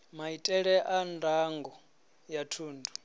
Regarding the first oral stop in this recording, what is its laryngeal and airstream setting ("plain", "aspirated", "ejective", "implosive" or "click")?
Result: ejective